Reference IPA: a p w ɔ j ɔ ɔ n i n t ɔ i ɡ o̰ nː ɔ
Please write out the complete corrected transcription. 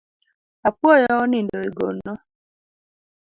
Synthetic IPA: a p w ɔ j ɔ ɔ n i n d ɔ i ɡ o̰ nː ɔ